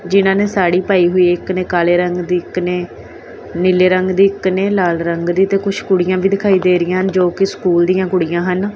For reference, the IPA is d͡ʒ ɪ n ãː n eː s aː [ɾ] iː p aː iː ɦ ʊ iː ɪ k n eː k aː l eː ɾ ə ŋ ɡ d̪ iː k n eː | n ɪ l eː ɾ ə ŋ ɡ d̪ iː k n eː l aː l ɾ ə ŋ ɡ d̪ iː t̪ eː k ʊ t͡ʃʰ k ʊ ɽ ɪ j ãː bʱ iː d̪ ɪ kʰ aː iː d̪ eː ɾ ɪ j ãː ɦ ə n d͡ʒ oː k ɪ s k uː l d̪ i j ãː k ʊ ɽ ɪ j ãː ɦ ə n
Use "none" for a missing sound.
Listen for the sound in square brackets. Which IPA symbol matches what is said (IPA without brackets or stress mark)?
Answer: ɽ